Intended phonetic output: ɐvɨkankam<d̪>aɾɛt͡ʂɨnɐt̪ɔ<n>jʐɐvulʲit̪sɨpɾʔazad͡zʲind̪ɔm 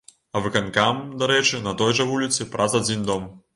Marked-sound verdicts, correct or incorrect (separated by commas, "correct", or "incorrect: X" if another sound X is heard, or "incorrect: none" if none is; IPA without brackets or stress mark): correct, incorrect: none